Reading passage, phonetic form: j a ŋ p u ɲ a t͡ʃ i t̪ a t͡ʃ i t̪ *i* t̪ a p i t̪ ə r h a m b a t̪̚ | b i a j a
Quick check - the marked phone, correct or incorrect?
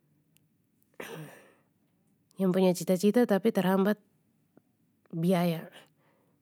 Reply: incorrect: a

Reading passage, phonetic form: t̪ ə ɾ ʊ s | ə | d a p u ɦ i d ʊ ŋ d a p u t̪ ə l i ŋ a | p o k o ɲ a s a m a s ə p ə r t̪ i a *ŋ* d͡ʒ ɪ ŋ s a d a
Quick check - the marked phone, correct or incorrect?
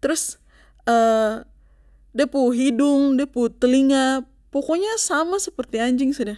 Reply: incorrect: ɲ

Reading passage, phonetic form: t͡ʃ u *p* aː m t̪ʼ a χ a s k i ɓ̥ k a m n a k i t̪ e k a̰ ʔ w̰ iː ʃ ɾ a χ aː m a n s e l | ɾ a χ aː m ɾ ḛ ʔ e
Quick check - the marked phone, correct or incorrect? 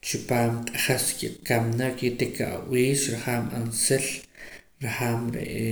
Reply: correct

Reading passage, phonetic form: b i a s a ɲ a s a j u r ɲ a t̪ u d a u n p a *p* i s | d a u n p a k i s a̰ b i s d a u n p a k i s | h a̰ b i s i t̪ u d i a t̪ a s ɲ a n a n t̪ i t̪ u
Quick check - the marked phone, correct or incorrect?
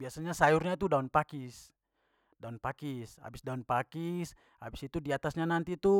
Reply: incorrect: k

